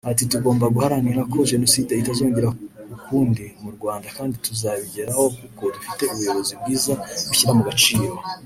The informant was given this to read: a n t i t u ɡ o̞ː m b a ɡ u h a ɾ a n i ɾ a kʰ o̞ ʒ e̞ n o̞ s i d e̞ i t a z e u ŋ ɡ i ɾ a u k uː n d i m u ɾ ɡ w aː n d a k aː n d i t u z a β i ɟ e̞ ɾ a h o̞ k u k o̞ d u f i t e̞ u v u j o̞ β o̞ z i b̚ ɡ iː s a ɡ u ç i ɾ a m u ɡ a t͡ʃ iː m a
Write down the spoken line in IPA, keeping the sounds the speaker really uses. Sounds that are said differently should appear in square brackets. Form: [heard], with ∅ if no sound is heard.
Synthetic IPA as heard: a [∅] t i t u ɡ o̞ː m b a ɡ u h a ɾ a n i ɾ a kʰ o̞ ʒ e̞ n o̞ s i d e̞ i t a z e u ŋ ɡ i ɾ a u k uː n d i m u ɾ ɡ w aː n d a k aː n d i t u z a β i ɟ e̞ ɾ a h o̞ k u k o̞ d u f i t e̞ u [β] u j o̞ β o̞ z i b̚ ɡ iː [z] a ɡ u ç i ɾ a m u ɡ a t͡ʃ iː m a